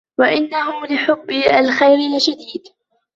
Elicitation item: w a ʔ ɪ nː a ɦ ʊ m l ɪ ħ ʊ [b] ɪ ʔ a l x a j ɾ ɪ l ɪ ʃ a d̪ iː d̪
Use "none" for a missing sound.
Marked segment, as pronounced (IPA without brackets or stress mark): bː